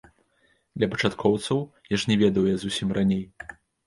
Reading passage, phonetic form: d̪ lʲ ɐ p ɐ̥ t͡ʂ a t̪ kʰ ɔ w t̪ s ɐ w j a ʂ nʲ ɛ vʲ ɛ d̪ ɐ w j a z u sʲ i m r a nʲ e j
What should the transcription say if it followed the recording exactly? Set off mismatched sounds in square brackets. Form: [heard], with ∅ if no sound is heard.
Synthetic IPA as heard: d̪ lʲ ɐ p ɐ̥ t͡ʂ a t̪ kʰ ɔ w t̪ s ɐ w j a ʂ nʲ ɛ vʲ ɛ d̪ ɐ w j a z u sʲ i m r a nʲ e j